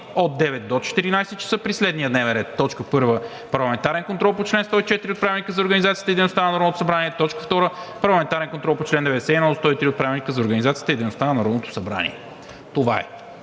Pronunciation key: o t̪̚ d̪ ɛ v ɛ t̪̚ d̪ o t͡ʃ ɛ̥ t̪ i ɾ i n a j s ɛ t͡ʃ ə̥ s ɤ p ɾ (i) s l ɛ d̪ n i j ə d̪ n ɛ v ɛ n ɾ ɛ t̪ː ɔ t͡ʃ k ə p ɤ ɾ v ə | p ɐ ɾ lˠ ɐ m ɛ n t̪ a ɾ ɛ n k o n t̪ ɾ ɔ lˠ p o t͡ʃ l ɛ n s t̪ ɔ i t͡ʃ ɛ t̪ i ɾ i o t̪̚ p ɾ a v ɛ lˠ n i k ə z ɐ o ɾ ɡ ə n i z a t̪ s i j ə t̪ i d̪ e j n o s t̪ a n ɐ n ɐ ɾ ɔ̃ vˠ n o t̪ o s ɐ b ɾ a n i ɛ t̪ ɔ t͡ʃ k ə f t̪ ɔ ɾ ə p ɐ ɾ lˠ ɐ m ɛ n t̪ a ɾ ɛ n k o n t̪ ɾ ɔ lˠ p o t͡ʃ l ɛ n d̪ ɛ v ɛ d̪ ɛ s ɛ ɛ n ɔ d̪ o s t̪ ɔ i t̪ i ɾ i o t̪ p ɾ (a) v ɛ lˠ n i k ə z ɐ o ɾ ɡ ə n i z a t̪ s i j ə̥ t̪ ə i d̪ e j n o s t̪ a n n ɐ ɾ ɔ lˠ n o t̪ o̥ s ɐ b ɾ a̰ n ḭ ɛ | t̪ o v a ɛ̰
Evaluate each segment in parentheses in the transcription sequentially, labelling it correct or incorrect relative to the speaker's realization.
correct, correct

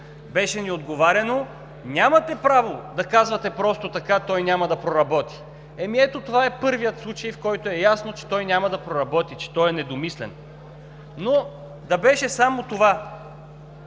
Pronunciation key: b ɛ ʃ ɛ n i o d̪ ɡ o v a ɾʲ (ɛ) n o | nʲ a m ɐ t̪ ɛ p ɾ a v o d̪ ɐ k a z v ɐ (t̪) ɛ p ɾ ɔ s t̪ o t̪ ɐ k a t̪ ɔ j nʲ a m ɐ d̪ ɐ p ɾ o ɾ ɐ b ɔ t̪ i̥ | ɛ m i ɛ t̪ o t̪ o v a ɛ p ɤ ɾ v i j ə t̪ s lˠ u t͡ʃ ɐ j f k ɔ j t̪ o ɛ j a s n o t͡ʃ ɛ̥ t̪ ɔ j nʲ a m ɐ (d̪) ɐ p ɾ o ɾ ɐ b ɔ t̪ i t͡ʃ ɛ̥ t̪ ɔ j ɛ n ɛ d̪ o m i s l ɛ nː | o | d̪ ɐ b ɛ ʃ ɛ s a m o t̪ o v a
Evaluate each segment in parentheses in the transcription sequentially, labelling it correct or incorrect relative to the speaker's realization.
correct, correct, correct

